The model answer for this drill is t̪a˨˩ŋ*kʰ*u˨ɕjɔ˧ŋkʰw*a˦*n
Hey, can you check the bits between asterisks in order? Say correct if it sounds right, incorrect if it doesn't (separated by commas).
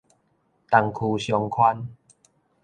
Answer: correct, correct